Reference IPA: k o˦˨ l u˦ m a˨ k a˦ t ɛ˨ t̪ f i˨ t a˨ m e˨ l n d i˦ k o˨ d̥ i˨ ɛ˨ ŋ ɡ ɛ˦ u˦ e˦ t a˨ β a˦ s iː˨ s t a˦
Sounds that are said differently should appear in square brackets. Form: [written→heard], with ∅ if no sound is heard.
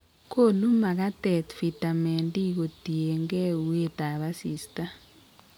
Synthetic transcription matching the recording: k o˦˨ l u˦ m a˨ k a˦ t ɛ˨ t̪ f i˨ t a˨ m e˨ [l→∅] n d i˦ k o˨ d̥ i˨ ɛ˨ ŋ ɡ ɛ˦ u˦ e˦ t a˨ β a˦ s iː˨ s t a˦